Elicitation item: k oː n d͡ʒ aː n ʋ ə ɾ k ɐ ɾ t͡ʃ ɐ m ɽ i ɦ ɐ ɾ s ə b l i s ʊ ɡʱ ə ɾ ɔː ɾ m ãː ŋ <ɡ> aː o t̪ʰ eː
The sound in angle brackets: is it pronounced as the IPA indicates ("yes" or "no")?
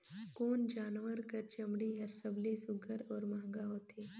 yes